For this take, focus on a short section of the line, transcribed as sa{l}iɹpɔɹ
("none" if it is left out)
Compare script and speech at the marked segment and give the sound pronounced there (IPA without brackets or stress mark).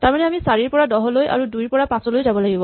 ɹ